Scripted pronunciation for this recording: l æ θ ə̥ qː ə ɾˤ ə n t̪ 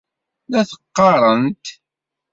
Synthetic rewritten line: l æ θ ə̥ qː ɑ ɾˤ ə n t̪